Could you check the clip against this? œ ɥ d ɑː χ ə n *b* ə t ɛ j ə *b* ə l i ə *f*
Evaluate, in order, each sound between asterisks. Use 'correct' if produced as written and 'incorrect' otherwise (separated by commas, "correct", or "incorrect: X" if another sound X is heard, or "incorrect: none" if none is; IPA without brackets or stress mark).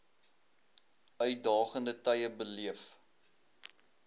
incorrect: d, correct, correct